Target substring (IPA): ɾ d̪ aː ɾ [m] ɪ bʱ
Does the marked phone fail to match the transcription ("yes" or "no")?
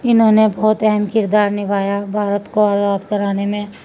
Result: yes